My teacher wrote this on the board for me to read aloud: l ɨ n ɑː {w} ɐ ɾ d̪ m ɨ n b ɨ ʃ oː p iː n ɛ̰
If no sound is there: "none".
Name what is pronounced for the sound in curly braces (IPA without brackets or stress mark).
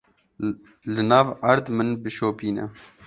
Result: v